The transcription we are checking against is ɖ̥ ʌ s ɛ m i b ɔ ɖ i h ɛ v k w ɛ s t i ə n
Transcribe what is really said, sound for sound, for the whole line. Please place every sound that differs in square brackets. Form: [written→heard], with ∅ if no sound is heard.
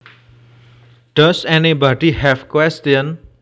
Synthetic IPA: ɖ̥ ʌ s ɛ [m→n] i b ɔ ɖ i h ɛ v k w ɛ s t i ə n